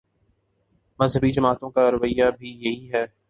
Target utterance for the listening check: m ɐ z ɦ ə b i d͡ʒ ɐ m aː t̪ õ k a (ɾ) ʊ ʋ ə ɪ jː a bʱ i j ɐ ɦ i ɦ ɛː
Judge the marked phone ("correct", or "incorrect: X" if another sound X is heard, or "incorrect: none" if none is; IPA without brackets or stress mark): correct